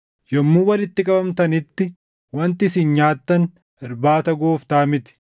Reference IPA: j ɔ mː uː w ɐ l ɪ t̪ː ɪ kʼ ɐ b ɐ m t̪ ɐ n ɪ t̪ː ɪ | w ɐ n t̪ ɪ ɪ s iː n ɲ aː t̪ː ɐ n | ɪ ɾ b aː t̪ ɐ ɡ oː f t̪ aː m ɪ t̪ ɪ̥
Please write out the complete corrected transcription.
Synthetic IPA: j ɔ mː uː w ɐ l ɪ t̪ː ɪ kʼ ɐ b ɐ m t̪ ɐ n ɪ t̪ː ɪ | w ɐ n t̪ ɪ ɪ s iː n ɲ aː t̪ː ɐ n | ɪ ɾ b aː t̪ ɐ ɡ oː f t̪ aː m ɪ t̪ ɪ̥